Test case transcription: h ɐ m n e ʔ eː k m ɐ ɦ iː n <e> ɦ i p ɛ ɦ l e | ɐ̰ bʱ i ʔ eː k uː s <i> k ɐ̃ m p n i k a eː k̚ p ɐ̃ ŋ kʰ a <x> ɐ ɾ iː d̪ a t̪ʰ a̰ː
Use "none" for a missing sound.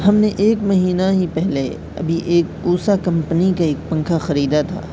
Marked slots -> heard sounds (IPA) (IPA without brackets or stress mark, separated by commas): a, a, x